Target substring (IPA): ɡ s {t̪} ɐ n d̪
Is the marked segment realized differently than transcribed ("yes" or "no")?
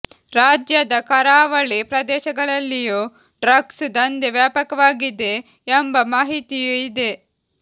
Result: yes